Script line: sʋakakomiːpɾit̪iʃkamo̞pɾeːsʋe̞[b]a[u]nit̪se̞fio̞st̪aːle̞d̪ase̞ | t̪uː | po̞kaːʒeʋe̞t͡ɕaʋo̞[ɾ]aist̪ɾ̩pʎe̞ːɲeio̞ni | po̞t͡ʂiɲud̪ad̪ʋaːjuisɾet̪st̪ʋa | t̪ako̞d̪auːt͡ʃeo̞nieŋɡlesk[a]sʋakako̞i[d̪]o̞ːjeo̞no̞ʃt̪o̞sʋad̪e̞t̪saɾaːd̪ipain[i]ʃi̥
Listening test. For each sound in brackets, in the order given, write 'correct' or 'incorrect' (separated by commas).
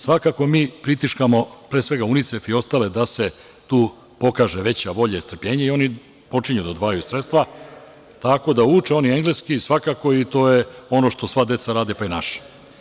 incorrect, correct, incorrect, incorrect, incorrect, incorrect